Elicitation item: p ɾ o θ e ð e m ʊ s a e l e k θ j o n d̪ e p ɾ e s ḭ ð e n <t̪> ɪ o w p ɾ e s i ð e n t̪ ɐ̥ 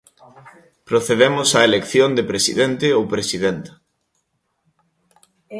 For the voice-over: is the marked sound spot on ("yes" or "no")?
yes